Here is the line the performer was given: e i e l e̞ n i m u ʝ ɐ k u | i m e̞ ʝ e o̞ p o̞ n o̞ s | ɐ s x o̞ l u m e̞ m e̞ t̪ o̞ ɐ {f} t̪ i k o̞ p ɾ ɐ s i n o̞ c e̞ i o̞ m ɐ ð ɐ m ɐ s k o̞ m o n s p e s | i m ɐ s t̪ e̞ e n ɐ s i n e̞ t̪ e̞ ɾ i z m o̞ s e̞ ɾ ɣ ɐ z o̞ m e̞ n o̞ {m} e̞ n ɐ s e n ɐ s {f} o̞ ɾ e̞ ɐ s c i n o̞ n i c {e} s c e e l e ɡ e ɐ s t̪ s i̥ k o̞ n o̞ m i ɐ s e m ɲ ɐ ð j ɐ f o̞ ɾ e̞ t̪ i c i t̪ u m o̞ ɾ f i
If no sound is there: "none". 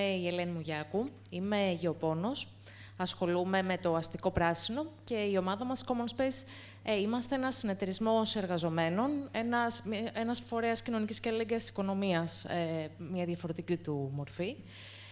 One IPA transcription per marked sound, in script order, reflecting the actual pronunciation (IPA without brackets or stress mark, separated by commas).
s, n, f, i